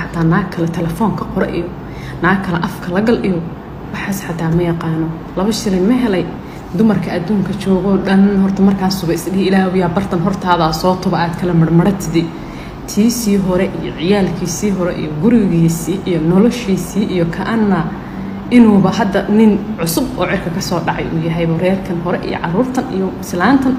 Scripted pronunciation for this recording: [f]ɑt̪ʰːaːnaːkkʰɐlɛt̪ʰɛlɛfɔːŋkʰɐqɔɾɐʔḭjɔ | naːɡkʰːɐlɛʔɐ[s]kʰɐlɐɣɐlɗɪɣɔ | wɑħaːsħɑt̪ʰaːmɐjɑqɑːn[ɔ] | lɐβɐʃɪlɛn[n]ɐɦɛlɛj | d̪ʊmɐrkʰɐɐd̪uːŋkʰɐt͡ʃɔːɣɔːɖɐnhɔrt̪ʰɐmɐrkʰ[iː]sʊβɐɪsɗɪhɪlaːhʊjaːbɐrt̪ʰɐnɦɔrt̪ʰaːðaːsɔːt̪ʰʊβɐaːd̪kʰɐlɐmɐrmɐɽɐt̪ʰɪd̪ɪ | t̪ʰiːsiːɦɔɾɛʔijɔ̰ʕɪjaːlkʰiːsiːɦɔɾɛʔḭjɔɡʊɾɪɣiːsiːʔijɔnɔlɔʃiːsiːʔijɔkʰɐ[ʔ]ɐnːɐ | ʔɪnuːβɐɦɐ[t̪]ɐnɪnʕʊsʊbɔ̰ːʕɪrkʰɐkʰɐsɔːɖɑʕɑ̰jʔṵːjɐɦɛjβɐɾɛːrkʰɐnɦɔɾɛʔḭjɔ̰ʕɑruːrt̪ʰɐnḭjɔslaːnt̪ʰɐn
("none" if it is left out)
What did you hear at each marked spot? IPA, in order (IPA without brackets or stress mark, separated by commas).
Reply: ħ, f, ɔ, m, aː, ʔ, d̪